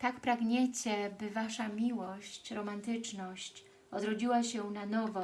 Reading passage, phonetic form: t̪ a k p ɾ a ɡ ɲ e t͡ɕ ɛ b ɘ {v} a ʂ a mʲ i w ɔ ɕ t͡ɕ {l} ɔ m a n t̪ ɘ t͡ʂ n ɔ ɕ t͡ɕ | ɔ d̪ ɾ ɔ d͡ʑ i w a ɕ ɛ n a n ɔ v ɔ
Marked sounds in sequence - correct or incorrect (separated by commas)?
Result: correct, incorrect